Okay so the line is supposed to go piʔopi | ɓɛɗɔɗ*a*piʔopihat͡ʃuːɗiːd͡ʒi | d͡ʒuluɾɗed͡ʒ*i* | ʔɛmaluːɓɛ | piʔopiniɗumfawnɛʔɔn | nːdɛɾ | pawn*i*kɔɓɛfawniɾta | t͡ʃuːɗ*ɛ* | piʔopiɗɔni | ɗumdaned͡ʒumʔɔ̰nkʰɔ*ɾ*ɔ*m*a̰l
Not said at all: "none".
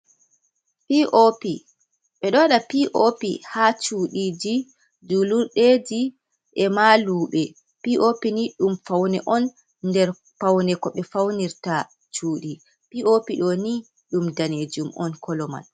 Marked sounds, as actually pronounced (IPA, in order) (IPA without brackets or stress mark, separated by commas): a, i, ɛ, i, l, m